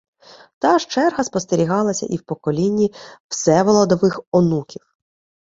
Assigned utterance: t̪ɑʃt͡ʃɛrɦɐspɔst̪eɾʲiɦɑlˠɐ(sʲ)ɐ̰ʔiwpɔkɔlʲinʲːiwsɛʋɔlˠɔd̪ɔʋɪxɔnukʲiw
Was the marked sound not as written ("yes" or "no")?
no